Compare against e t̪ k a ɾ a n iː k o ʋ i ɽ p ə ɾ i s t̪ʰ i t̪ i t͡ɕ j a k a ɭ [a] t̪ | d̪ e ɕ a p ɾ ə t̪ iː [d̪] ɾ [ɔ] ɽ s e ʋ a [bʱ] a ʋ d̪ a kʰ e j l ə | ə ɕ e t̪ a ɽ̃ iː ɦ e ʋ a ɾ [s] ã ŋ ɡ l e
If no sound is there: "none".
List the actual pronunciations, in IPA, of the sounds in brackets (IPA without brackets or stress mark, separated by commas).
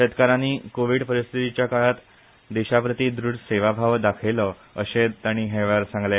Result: a, d̪, u, bʱ, s